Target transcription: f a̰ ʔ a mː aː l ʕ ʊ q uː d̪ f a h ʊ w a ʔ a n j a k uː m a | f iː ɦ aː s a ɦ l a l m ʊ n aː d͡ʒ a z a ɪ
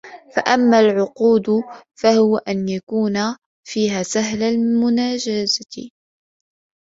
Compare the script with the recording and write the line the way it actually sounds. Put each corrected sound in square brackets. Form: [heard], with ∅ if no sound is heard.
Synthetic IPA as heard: f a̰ ʔ a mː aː l ʕ ʊ q uː d̪ f a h ʊ w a ʔ a n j a k uː [n] a | f iː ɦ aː s a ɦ l a l m ʊ n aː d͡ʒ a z a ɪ